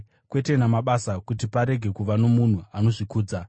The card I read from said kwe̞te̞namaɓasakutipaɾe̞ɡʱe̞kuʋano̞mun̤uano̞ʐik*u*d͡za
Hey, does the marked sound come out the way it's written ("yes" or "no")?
no